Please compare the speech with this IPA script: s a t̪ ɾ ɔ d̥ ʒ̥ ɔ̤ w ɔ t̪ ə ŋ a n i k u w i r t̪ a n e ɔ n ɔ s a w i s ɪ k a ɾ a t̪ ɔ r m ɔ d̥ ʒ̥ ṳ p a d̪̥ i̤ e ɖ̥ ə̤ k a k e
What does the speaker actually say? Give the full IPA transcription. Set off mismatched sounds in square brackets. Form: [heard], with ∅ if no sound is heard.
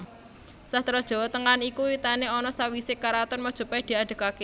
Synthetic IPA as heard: s a t̪ ɾ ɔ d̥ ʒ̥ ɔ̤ w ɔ t̪ ə ŋ a n i k u w i [∅] t̪ a n e ɔ n ɔ s a w i s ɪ k a ɾ a t̪ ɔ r m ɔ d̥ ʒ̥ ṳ p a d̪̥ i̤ [a] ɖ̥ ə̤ k a k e